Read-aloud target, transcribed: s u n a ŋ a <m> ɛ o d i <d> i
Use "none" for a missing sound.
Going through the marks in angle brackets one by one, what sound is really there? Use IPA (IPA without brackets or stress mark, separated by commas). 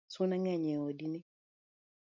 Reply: ɲ, n